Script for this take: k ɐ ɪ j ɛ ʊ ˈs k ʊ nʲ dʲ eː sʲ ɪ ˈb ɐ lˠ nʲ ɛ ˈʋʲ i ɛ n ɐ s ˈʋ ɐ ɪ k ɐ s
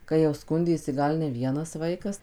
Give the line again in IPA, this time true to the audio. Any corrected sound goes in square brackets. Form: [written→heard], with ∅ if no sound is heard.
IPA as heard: k ɐ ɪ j ɛ ʊ ˈs k ʊ nʲ dʲ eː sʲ ɪ [ˈb→ˈɡ] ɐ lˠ nʲ ɛ ˈʋʲ i ɛ n ɐ s ˈʋ ɐ ɪ k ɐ s